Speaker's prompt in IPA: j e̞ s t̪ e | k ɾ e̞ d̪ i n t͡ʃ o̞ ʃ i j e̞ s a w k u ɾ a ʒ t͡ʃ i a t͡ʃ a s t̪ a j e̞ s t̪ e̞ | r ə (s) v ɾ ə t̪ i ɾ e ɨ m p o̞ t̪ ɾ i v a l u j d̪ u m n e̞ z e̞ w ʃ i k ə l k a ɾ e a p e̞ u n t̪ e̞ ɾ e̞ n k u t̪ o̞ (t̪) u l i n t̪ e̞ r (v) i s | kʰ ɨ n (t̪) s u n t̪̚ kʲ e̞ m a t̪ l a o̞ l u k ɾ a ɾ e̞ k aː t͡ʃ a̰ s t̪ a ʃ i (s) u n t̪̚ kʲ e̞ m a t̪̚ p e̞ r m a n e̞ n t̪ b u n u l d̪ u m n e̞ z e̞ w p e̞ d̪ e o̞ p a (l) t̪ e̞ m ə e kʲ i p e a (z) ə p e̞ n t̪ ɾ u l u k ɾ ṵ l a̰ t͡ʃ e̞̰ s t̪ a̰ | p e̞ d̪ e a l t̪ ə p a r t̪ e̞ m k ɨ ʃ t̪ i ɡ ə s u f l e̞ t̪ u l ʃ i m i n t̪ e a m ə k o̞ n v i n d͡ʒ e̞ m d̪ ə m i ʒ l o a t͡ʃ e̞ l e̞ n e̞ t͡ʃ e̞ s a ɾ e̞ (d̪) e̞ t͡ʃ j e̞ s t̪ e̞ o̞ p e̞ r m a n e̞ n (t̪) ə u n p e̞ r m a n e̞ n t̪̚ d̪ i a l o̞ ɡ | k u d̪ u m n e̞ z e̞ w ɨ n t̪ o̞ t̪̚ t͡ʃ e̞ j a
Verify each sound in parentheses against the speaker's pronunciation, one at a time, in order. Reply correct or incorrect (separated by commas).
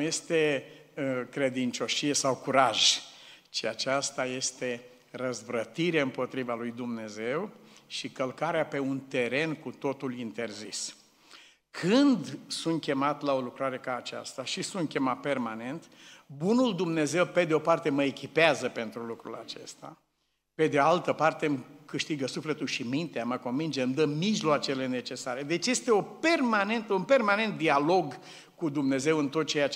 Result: incorrect, correct, incorrect, incorrect, correct, incorrect, correct, correct, correct